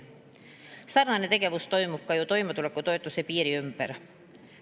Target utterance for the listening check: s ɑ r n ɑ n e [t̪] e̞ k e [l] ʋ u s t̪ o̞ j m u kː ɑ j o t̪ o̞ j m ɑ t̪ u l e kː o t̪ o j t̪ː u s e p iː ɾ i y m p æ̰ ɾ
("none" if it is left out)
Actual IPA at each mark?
t̪, none

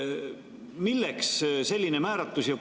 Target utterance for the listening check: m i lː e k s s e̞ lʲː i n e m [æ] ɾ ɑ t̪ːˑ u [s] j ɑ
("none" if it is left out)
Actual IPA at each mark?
æː, s

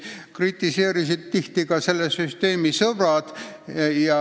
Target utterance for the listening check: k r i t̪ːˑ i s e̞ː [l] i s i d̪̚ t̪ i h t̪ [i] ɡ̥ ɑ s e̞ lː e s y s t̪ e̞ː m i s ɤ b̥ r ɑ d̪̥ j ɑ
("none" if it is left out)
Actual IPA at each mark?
ɾ, i

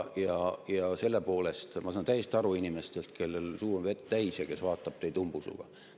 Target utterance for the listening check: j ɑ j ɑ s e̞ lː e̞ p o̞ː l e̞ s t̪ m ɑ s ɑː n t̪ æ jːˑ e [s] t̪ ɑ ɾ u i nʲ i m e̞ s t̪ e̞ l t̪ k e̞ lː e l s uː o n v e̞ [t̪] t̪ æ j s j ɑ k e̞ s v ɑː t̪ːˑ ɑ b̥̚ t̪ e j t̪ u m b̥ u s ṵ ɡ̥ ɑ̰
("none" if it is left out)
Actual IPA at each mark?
s, t̪

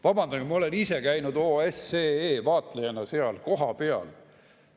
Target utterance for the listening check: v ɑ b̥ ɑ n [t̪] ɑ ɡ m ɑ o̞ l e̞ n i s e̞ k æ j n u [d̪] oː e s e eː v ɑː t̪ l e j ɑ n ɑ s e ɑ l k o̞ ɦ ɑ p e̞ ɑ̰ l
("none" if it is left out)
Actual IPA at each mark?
d̪, d̪

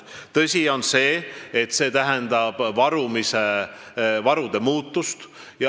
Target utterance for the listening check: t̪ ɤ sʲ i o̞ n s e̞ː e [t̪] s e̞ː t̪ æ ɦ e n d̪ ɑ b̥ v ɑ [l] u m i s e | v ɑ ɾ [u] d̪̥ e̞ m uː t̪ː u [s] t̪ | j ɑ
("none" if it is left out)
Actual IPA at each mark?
t̪, ɾ, u, s

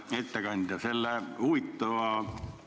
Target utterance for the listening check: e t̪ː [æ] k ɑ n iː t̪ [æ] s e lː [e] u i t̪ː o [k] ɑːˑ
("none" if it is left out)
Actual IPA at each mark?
æ, æ, æ, none

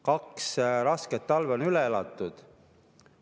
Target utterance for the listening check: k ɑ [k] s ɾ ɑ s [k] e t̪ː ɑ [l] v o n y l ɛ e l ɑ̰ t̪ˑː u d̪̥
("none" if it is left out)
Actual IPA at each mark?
k, k, l

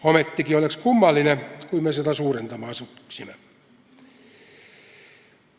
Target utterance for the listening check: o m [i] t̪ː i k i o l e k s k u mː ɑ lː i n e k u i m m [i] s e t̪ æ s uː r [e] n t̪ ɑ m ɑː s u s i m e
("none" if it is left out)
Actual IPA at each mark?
e, e, e

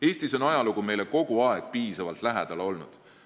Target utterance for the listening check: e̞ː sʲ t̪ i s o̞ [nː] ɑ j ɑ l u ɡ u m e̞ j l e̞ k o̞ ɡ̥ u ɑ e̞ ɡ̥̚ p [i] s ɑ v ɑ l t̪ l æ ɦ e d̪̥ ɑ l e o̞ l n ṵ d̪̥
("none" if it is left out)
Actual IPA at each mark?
n, iː

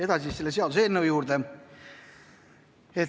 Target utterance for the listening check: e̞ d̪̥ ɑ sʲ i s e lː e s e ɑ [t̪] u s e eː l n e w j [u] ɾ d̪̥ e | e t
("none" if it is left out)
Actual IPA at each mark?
d̪, uː

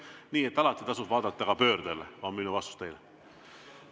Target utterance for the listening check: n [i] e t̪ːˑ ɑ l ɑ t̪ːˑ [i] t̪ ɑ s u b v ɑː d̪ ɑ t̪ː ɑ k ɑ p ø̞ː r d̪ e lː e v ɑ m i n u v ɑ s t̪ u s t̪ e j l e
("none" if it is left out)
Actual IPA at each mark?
iː, i

